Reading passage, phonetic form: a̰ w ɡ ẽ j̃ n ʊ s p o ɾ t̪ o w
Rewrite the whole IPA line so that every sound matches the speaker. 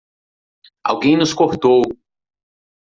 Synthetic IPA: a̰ w ɡ ẽ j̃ n ʊ s k o ɾ t̪ o w